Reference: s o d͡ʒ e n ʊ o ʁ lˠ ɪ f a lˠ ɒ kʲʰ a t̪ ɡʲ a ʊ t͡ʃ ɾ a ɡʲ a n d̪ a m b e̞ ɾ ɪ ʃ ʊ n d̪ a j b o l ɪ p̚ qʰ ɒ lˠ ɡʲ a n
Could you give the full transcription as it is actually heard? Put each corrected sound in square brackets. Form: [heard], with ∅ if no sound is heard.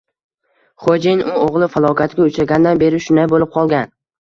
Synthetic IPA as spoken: [χ] o d͡ʒ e n ʊ o ʁ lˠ ɪ f a lˠ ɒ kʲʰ a t̪ ɡʲ a ʊ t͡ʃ ɾ a ɡʲ a n d̪ a [n] b e̞ ɾ ɪ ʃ ʊ n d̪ a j b o l ɪ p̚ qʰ ɒ lˠ ɡʲ a n